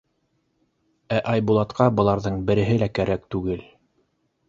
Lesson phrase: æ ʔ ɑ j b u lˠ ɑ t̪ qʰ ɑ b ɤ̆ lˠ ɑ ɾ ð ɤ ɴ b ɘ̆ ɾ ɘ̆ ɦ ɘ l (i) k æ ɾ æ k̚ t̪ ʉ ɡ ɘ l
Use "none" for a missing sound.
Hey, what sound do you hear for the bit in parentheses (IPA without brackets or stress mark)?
æ